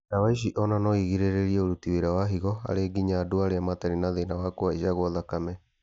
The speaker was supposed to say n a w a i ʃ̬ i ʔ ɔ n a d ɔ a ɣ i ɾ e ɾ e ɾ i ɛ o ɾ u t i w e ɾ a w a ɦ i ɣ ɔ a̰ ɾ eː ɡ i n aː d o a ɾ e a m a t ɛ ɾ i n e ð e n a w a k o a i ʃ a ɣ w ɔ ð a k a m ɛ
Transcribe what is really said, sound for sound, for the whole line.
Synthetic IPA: n a w a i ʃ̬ i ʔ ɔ n a n ɔ i ɣ i ɾ e ɾ e ɾ i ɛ o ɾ u t i w e ɾ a w a ɦ i ɣ ɔ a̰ ɾ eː ɡ i ɲ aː d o a ɾ e a m a t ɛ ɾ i n a ð e n a w a k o a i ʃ a ɣ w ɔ ð a k a m ɛ